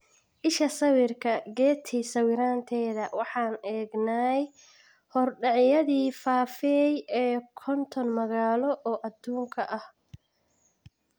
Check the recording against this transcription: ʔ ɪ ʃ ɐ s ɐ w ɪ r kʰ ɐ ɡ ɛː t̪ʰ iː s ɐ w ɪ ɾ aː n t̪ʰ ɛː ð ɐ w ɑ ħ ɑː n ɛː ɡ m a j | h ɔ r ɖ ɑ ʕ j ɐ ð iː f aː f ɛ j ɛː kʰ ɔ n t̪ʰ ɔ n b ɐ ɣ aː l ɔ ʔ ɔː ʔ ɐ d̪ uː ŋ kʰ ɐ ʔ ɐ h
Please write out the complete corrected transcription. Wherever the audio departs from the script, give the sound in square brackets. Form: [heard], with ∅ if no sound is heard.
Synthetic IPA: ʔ ɪ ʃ ɐ s ɐ w ɪ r kʰ ɐ ɡ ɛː t̪ʰ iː s ɐ w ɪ ɾ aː n t̪ʰ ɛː ð ɐ w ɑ ħ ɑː n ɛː ɡ [n] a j | h ɔ r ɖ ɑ ʕ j ɐ ð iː f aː f ɛ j ɛː kʰ ɔ n t̪ʰ ɔ n [m] ɐ ɣ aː l ɔ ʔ ɔː ʔ ɐ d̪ uː ŋ kʰ ɐ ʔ ɐ h